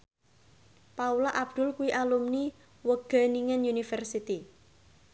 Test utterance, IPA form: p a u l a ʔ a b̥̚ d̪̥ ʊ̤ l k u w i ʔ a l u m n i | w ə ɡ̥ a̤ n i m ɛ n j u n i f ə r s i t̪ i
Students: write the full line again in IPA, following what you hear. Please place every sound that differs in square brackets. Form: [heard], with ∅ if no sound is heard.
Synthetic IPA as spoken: p a u l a ʔ a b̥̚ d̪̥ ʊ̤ l k u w i ʔ a l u m n i | w ə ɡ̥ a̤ n i [ŋ] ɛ n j u n i f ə r s i t̪ i

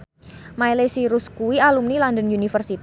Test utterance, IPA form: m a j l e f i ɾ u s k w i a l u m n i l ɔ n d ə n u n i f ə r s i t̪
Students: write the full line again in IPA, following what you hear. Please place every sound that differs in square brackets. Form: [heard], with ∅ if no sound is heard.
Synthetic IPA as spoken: m a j l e [s] i ɾ u s k [u] i a l u m n i l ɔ n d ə n u n i f ə r s i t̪

